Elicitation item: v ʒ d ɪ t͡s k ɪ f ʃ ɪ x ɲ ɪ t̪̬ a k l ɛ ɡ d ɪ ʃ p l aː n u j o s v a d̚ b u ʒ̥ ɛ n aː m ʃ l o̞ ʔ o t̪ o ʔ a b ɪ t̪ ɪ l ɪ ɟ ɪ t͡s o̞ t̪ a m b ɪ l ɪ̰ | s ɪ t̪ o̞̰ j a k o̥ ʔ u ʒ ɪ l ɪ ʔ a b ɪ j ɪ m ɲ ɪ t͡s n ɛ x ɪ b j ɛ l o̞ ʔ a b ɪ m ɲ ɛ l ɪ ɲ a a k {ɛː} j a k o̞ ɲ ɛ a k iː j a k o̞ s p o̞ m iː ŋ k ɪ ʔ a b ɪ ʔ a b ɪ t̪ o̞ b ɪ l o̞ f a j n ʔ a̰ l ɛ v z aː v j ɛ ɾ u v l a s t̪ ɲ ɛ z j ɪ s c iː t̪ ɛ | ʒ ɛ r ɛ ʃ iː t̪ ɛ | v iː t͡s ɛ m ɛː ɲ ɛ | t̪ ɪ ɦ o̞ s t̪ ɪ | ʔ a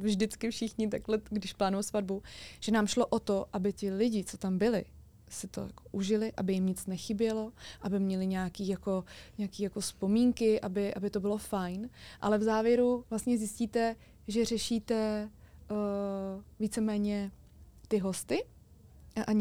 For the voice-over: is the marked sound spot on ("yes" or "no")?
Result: no